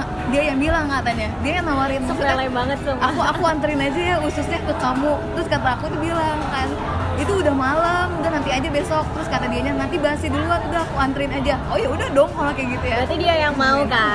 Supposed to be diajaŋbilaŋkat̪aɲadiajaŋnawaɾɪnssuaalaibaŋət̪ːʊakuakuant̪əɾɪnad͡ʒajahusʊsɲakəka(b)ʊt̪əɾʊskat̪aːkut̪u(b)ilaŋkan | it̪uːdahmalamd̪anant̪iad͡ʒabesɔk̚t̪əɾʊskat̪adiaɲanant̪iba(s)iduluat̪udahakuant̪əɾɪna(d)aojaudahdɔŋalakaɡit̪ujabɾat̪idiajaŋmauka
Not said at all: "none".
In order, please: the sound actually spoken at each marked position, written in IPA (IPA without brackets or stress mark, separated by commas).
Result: m, b, s, d͡ʒ